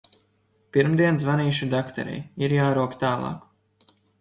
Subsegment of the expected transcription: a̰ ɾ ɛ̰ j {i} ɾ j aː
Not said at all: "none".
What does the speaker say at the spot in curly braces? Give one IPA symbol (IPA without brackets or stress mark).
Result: i